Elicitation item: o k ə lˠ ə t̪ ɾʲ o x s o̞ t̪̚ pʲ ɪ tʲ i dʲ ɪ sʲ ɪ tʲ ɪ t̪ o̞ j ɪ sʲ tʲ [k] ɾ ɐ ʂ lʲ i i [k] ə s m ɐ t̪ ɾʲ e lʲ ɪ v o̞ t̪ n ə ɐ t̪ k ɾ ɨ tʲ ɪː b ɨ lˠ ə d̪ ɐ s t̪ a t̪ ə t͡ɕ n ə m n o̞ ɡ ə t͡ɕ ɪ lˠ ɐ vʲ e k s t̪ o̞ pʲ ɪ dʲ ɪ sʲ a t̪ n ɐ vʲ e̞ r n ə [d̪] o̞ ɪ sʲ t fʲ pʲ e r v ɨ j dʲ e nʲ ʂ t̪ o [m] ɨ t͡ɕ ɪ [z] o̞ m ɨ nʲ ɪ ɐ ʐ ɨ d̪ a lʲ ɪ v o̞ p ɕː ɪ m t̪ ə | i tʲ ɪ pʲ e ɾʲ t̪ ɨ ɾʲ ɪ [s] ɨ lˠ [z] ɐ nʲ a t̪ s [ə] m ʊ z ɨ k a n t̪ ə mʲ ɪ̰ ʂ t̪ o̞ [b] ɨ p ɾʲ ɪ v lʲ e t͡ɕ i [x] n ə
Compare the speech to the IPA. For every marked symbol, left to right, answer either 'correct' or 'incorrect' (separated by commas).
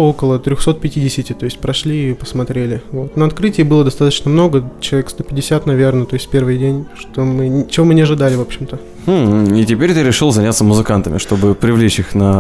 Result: incorrect, incorrect, incorrect, correct, incorrect, incorrect, correct, correct, correct, correct